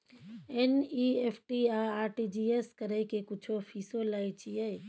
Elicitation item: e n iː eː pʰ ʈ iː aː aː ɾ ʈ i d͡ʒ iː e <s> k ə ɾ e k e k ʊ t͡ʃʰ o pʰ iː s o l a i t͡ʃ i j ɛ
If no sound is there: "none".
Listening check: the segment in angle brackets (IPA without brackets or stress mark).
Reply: s